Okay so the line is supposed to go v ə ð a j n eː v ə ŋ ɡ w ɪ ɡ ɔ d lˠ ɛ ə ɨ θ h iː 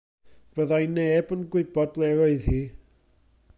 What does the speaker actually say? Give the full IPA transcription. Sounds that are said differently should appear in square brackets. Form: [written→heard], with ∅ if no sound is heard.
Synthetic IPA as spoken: v ə ð a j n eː [v→b] ə [ŋ→n] ɡ w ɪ [ɡ→b] ɔ d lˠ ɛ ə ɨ [θ→ð] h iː